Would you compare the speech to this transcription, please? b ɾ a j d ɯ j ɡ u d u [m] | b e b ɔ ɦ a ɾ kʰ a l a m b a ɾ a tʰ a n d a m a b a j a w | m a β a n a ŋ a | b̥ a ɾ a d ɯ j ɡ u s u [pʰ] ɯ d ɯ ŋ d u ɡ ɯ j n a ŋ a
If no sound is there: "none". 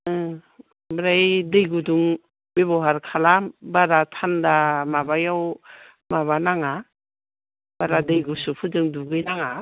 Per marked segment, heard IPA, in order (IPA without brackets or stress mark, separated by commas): ŋ, pʰ